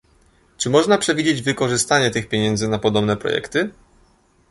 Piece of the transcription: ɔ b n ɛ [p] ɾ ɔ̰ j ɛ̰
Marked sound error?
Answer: no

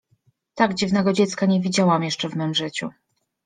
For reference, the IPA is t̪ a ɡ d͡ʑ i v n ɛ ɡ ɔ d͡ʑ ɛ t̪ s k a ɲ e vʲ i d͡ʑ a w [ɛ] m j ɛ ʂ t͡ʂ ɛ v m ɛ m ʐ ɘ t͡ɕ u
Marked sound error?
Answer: yes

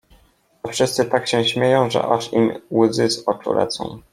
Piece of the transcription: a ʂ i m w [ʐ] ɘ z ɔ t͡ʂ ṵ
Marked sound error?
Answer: yes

